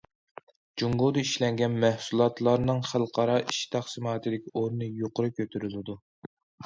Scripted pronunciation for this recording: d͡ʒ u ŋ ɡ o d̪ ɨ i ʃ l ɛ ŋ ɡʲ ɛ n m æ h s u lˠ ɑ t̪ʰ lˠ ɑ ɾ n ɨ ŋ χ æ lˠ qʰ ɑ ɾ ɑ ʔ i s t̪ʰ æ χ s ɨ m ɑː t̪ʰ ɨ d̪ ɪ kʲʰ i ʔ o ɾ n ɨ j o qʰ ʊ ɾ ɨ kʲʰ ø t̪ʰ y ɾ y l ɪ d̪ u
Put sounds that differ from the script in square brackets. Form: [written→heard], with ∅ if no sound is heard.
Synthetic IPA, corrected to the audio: d͡ʒ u ŋ ɡ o d̪ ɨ i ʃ l ɛ ŋ ɡʲ ɛ n m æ h s u lˠ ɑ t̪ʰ lˠ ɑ ɾ n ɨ ŋ χ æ lˠ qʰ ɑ ɾ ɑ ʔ i [s→ʃ] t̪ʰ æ χ s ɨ m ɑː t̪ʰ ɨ d̪ ɪ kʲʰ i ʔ o ɾ n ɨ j o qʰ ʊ ɾ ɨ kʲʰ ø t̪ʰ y ɾ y l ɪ d̪ u